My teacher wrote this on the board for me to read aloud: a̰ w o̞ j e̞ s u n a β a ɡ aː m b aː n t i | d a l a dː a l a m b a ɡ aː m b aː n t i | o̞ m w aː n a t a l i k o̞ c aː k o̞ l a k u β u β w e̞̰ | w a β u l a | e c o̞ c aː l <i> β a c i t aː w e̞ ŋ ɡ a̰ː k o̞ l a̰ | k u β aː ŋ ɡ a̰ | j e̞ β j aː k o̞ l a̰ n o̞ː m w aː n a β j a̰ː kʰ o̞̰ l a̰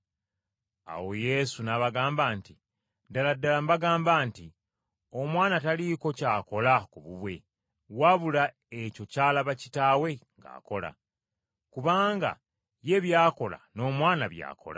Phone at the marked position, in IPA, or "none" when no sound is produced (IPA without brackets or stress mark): a